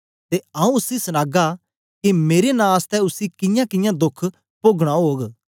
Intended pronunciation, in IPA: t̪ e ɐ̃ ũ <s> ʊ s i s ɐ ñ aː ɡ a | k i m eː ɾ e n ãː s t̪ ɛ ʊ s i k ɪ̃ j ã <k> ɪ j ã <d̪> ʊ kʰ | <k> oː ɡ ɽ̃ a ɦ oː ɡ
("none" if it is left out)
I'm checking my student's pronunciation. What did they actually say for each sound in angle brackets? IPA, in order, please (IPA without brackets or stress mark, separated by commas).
none, k, d̪, p